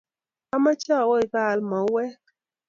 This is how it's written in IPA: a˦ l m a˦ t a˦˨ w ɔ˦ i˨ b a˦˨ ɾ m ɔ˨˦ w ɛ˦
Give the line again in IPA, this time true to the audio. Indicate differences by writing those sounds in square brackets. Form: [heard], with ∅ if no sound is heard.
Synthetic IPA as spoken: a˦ [∅] m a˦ [t͡ʃ] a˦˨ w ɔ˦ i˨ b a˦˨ [l] m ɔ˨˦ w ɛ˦